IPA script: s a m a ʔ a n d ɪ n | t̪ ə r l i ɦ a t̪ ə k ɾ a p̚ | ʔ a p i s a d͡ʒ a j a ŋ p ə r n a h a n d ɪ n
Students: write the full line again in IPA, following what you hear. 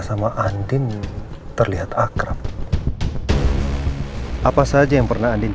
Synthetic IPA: s a m a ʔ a n d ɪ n | t̪ ə r l i ɦ a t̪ a k ɾ a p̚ | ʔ a p a s a d͡ʒ a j a ŋ p ə r n a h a n d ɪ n